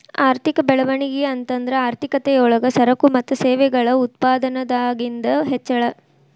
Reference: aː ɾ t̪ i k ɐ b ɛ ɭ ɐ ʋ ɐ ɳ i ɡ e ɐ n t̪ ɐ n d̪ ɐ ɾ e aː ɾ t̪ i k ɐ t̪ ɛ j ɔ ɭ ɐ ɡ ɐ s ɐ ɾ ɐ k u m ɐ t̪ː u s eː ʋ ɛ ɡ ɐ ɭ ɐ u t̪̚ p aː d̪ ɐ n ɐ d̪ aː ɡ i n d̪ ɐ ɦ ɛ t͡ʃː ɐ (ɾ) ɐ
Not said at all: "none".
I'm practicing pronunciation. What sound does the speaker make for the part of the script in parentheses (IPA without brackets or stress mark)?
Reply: ɭ